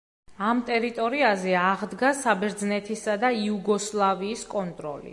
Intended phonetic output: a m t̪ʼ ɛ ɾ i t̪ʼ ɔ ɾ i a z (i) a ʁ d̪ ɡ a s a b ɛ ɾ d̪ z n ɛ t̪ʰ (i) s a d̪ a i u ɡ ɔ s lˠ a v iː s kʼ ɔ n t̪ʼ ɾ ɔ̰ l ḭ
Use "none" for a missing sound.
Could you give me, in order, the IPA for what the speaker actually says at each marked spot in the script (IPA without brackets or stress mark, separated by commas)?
ɛ, i